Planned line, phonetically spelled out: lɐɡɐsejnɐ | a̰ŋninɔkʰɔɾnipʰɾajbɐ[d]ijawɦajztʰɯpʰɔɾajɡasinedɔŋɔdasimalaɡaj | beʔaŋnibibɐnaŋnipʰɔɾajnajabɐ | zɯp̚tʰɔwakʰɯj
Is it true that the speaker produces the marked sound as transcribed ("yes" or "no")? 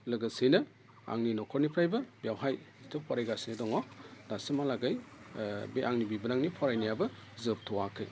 no